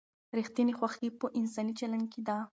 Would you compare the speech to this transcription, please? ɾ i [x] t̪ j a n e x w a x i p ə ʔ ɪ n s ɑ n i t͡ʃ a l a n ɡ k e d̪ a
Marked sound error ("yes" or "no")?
no